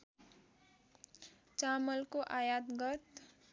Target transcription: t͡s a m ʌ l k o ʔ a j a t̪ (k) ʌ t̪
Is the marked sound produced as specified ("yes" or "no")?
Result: no